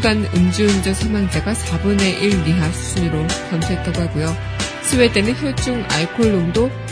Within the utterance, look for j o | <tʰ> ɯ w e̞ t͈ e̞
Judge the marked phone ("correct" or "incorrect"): incorrect